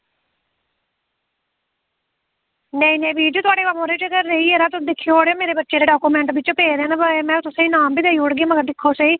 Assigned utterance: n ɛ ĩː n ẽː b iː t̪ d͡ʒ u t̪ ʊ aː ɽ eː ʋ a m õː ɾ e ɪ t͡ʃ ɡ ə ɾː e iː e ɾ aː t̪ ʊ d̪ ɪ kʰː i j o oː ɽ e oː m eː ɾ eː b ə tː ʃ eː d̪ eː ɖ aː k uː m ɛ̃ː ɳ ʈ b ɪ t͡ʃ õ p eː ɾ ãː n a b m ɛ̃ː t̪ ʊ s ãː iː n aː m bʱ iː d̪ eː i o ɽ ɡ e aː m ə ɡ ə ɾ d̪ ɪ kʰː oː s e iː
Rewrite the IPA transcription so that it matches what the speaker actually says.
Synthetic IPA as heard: n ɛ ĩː n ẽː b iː d͡ʒ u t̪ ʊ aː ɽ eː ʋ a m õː ɾ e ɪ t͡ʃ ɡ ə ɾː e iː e ɾ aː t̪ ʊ d̪ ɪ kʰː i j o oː ɽ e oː m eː ɾ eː b ə tː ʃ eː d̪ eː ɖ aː k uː m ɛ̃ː ɳ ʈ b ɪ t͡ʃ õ p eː ɾ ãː n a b m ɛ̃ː t̪ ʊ s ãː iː n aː m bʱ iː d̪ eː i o ɽ ɡ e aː m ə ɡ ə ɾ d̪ ɪ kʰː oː s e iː